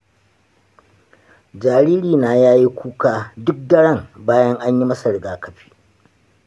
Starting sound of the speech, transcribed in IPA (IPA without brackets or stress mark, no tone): d͡ʒ